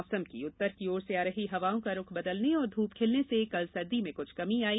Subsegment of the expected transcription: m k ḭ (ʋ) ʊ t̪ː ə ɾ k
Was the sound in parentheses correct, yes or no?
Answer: no